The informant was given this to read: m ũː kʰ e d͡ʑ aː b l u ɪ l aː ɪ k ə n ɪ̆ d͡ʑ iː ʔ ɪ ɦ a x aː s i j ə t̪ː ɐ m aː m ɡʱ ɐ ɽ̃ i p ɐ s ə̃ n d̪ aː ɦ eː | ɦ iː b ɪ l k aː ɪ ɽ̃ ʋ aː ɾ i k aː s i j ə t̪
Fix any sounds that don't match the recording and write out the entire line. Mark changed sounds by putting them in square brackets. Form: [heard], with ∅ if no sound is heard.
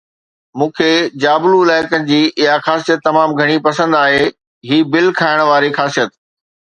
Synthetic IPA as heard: m ũː kʰ e d͡ʑ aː b l u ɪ l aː ɪ k ə n ɪ̆ d͡ʑ iː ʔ ɪ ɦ a x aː s i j ə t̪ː ɐ m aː m ɡʱ ɐ ɽ̃ i p ɐ s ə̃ n d̪ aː ɦ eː | ɦ iː b ɪ l [kʰ] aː ɪ ɽ̃ ʋ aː ɾ i [x] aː s i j ə t̪